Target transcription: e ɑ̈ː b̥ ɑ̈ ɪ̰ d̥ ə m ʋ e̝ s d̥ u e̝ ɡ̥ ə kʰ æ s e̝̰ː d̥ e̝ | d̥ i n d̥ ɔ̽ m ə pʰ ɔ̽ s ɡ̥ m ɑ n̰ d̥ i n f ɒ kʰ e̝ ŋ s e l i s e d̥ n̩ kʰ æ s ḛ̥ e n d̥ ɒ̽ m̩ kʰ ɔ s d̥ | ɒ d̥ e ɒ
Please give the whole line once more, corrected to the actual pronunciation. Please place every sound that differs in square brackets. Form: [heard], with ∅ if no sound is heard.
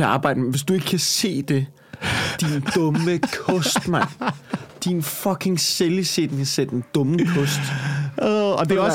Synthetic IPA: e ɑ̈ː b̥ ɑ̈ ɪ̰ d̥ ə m ʋ e̝ s d̥ u e̝ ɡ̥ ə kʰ æ s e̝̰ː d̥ e̝ | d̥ i n d̥ ɔ̽ m ə [kʰ] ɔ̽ s [d̥] m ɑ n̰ d̥ i n f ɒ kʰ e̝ ŋ s e l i s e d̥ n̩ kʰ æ s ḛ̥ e n d̥ [ɔ̽] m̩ kʰ ɔ s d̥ | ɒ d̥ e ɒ